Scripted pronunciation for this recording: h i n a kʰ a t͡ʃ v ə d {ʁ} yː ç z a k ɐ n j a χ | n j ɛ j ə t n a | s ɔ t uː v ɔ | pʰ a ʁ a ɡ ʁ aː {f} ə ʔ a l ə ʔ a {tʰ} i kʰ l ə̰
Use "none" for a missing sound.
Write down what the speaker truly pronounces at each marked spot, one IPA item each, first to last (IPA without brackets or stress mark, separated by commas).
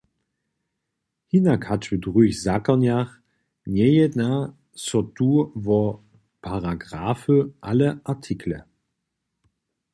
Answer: ʁ, f, tʰ